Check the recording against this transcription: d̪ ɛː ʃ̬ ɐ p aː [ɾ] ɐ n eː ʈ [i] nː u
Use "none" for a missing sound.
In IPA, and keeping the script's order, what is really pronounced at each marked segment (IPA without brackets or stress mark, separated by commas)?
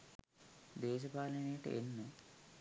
l, e